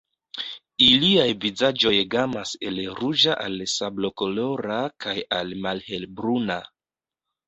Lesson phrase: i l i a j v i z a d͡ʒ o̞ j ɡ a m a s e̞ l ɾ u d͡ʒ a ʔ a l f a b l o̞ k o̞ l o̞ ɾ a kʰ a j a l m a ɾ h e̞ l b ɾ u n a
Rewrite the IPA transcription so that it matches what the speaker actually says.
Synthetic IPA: i l i a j v i z a d͡ʒ o̞ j ɡ a m a s e̞ l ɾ u d͡ʒ a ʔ a l s a b l o̞ k o̞ l o̞ ɾ a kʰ a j a l m a l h e̞ l b ɾ u n a